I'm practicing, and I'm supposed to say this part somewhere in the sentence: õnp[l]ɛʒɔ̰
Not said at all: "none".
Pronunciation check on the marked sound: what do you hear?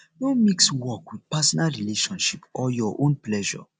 l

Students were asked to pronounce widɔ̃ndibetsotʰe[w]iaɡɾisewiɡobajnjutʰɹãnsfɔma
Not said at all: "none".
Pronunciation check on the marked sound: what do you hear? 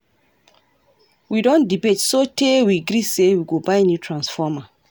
w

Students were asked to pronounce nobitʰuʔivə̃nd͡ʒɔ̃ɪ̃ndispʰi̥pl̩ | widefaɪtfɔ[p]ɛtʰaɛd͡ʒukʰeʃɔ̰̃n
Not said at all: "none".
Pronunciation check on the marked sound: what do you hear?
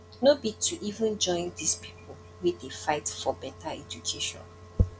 b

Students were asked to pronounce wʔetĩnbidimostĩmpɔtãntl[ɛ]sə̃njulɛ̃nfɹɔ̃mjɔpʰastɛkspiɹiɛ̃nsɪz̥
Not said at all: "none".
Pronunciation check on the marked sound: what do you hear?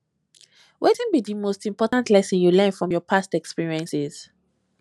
ɛ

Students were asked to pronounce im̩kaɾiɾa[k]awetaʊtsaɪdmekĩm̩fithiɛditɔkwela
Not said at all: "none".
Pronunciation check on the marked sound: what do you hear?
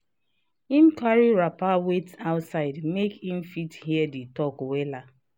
p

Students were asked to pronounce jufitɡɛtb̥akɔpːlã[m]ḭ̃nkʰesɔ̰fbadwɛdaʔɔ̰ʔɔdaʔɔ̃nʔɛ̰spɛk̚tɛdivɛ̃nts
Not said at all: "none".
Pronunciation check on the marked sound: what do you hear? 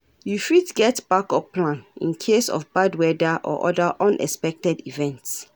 n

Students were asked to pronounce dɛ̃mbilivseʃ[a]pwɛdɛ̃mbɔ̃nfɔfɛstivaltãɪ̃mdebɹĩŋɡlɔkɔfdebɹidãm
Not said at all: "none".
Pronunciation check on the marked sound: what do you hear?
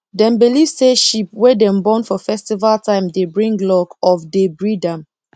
i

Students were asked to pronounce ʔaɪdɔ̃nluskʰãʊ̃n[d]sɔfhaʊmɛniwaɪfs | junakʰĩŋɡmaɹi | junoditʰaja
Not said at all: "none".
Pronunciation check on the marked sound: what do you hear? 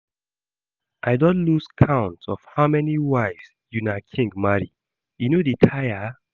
t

